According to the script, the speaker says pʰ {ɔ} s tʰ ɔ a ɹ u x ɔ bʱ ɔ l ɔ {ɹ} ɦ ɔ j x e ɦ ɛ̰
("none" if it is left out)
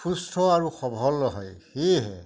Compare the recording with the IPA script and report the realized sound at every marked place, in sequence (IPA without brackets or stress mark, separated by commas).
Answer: u, none